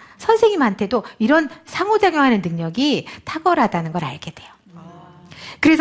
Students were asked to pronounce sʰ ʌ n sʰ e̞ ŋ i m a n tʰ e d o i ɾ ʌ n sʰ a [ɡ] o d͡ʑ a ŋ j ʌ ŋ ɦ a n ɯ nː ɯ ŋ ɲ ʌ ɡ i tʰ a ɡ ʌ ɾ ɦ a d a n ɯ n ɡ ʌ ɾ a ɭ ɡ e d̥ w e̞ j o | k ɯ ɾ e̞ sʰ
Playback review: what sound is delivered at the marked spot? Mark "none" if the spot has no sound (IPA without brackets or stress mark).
ŋ